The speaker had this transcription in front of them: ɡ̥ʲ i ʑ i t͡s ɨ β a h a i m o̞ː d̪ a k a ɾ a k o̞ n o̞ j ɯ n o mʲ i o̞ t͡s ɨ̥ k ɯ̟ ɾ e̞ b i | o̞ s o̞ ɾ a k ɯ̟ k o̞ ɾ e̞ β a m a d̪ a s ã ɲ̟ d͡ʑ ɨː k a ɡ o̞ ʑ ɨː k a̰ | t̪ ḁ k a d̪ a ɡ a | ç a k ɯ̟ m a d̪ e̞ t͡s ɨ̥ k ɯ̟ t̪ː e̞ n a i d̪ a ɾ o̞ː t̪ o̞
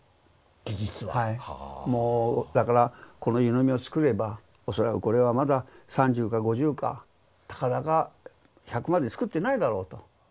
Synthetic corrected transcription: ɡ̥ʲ i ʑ i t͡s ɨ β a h a i m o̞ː d̪ a k a ɾ a k o̞ n o̞ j ɯ n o mʲ i o̞ t͡s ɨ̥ k ɯ̟ ɾ e̞ b a | o̞ s o̞ ɾ a k ɯ̟ k o̞ ɾ e̞ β a m a d̪ a s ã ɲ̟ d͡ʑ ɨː k a ɡ o̞ ʑ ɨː k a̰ | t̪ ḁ k a d̪ a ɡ a | ç a k ɯ̟ m a d̪ e̞ t͡s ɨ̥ k ɯ̟ t̪ː e̞ n a i d̪ a ɾ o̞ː t̪ o̞